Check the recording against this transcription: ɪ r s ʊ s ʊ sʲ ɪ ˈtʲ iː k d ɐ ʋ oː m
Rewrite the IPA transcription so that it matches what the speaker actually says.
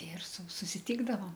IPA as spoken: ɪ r s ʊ s ʊ sʲ ɪ ˈtʲ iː ɡ d ɐ ʋ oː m